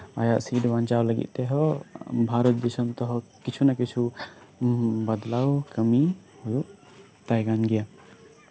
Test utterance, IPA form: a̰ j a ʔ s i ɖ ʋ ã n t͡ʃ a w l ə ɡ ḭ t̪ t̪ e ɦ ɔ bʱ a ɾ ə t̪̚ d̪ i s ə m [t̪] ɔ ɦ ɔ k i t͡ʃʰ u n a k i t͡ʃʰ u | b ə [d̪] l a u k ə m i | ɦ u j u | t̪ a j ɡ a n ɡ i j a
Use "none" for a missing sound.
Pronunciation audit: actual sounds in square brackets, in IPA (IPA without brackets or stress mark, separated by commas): t̪, d̪